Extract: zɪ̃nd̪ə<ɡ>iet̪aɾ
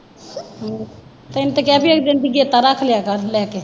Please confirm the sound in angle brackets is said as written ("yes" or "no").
yes